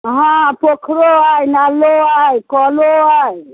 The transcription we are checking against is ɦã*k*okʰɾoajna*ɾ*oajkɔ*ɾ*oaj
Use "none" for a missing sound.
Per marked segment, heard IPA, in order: p, l, l

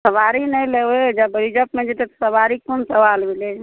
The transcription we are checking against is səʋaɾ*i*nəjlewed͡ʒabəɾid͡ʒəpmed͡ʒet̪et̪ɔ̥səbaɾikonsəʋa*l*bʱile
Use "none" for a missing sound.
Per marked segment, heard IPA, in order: i, l

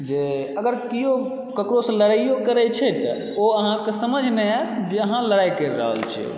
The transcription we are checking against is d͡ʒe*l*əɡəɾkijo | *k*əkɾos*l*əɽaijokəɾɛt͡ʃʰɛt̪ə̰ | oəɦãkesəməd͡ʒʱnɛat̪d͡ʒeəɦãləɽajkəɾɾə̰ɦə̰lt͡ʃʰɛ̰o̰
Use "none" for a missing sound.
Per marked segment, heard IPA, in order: none, k, l

